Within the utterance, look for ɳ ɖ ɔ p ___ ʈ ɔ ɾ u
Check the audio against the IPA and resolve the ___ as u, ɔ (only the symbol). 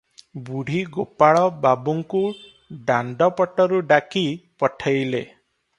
ɔ